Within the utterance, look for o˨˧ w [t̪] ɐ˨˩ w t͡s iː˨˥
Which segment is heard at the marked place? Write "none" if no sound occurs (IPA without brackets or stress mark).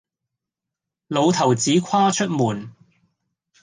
t̪ʰ